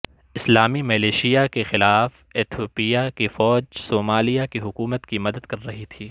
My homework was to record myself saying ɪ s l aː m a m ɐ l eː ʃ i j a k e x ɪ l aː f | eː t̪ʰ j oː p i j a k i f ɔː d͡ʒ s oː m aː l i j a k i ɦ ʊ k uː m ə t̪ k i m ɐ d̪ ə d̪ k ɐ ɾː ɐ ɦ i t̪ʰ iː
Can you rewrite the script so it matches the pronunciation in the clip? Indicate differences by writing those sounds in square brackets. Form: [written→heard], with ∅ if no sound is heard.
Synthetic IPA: ɪ s l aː m [a→i] m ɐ l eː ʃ i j a k e x ɪ l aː f | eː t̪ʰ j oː p i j a k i f ɔː d͡ʒ s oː m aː l i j a k i ɦ ʊ k uː m ə t̪ k i m ɐ d̪ ə d̪ k ɐ ɾː ɐ ɦ i t̪ʰ iː